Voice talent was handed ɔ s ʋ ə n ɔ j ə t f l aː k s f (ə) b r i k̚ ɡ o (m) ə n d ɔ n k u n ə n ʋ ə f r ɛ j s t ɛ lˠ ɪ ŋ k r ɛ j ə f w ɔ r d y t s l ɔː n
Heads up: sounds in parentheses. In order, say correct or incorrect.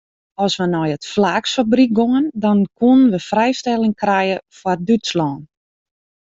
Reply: incorrect, incorrect

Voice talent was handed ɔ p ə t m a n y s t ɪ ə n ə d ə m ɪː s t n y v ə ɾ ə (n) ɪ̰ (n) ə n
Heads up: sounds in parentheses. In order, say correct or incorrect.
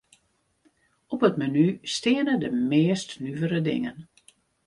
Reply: incorrect, incorrect

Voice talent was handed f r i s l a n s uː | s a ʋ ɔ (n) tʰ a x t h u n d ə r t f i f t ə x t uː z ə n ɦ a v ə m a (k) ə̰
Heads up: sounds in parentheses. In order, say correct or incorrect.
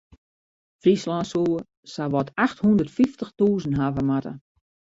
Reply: incorrect, incorrect

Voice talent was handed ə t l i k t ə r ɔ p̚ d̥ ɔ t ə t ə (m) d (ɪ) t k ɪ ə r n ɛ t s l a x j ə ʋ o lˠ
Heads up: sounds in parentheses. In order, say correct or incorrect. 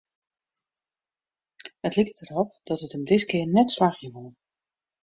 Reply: correct, correct

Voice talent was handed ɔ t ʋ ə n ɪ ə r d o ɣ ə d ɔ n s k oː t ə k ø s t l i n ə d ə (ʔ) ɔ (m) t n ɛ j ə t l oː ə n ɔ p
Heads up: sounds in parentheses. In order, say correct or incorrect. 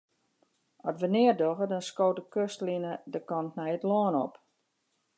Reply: incorrect, incorrect

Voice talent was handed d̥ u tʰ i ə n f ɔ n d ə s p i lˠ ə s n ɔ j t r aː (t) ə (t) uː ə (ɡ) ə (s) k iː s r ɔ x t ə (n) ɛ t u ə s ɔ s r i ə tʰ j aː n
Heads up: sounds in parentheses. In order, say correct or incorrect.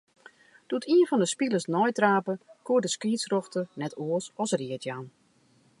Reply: incorrect, incorrect, incorrect, correct, correct

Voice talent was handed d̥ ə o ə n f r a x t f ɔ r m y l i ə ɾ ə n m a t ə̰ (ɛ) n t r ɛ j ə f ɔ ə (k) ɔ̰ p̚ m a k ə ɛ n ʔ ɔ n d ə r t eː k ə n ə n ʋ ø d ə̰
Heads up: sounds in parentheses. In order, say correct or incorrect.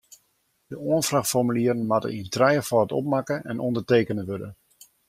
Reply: incorrect, incorrect

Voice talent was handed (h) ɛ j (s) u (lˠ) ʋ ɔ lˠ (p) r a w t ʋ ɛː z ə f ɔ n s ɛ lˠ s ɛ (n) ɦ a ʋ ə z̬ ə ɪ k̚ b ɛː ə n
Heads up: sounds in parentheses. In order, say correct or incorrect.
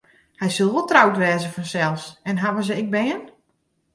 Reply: correct, correct, correct, incorrect, correct

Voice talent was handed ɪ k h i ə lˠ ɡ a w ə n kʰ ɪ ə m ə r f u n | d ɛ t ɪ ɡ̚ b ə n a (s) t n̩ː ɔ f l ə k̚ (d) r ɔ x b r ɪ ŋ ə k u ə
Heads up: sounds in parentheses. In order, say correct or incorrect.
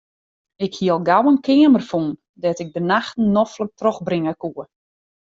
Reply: incorrect, incorrect

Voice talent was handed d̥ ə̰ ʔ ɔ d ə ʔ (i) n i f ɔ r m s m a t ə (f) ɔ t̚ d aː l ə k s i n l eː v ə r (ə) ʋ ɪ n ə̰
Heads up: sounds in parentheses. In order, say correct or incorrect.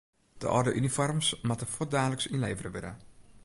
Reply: incorrect, correct, correct

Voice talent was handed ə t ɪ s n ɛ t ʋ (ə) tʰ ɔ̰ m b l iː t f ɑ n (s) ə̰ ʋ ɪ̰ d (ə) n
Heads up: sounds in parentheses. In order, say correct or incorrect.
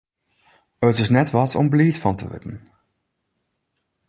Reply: incorrect, incorrect, correct

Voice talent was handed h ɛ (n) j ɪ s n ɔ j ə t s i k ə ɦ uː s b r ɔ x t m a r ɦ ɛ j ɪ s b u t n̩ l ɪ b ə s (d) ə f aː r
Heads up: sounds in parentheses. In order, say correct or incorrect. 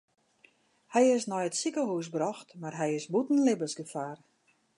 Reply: incorrect, incorrect

